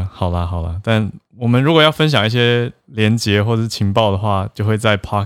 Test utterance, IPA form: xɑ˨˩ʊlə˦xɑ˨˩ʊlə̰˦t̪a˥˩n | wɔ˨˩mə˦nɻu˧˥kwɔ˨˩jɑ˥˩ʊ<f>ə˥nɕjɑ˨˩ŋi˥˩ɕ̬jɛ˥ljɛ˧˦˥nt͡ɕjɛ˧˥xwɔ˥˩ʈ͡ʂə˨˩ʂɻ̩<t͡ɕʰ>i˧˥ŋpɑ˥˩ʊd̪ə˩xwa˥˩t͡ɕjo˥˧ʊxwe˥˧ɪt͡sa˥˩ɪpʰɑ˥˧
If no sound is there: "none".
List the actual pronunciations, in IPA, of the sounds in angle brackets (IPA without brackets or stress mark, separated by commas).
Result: f, t͡ɕʰ